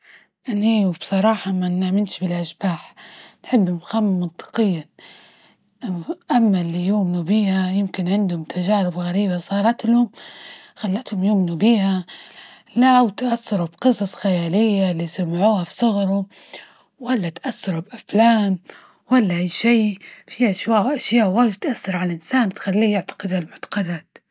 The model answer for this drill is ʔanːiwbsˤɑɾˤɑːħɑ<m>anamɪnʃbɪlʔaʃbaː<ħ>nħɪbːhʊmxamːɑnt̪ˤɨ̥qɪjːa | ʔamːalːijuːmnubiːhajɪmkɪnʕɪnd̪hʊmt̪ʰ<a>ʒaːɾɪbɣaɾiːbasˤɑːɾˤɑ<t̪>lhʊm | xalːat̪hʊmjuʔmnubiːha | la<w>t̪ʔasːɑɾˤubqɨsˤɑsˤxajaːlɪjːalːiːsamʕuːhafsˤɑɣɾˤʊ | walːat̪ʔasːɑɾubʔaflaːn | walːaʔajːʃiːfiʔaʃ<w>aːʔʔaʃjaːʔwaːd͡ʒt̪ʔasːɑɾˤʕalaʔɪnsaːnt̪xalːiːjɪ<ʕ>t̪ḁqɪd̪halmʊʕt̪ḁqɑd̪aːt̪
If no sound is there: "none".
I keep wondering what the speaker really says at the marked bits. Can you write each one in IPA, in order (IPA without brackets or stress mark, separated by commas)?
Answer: m, ħ, a, t̪, w, w, ʕ